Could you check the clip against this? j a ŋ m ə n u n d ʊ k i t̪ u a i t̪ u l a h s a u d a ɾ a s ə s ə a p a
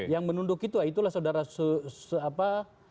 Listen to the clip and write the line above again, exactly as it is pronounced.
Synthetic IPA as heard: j a ŋ m ə n u n d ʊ k i t̪ u a i t̪ u l a h s a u d a ɾ a s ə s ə a p a